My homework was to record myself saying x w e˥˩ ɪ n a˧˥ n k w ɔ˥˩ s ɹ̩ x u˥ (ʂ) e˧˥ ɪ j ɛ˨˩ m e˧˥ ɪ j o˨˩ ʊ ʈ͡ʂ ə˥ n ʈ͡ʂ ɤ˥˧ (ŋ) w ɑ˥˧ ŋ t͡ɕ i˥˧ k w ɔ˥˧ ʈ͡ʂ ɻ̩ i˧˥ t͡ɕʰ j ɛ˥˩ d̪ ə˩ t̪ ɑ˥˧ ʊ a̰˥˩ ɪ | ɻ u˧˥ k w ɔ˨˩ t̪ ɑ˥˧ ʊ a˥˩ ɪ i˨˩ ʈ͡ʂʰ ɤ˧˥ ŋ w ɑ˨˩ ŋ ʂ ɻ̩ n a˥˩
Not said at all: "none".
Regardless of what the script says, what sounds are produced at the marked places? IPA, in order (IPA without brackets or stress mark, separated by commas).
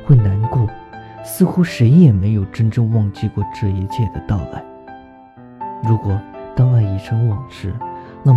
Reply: ʂ, ŋ